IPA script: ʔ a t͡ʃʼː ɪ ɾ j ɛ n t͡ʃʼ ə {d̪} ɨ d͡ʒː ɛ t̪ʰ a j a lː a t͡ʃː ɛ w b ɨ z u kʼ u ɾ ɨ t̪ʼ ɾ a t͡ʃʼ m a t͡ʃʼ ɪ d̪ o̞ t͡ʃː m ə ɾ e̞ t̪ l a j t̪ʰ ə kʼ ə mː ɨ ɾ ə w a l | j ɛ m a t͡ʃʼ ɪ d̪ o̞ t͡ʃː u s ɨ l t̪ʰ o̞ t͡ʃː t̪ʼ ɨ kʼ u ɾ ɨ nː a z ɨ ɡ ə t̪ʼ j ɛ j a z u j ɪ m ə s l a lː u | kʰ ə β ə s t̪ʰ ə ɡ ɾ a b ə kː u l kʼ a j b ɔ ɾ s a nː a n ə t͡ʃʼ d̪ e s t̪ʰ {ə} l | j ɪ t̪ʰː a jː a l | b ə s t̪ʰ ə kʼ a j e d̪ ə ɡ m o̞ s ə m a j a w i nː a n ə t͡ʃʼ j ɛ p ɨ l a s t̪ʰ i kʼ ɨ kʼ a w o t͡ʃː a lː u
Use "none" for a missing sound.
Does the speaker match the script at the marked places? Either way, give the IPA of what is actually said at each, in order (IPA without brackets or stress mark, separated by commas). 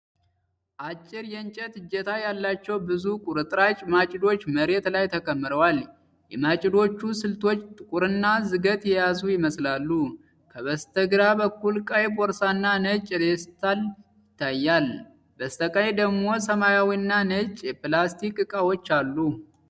t̪, a